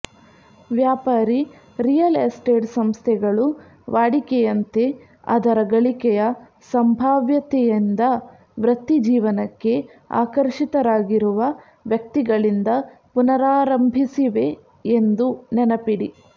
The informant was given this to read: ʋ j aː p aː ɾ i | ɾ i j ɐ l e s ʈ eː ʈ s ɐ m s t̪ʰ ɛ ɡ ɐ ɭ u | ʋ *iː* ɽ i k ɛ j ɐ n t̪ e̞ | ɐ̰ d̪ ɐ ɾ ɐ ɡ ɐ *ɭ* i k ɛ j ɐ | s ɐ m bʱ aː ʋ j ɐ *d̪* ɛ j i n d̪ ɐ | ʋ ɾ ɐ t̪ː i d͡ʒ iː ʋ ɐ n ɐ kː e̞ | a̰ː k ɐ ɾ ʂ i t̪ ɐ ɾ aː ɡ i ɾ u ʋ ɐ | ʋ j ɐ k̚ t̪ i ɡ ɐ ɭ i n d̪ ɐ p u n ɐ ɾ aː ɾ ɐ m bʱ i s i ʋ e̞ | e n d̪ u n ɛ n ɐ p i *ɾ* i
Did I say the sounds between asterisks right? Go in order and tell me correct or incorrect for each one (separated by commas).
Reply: incorrect, correct, incorrect, incorrect